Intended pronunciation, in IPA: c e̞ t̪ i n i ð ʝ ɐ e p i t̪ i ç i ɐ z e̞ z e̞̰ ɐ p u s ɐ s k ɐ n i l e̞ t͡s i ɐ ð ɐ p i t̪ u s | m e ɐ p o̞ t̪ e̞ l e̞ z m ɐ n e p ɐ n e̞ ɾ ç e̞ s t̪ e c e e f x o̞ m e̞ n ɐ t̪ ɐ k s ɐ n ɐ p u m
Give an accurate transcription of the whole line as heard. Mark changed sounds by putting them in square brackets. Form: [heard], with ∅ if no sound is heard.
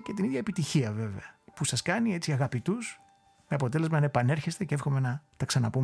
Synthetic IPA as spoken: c e̞ t̪ i n i ð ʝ ɐ e p i t̪ i ç i ɐ [v] e̞ [v] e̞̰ ɐ p u s ɐ s k ɐ n i [∅] e̞ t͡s i ɐ [ɣ] ɐ p i t̪ u s | m e ɐ p o̞ t̪ e̞ l e̞ z m ɐ n e p ɐ n e̞ ɾ ç e̞ s t̪ e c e e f x o̞ m e̞ n ɐ t̪ ɐ k s ɐ n ɐ p u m